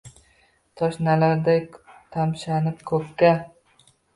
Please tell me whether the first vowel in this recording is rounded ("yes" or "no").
yes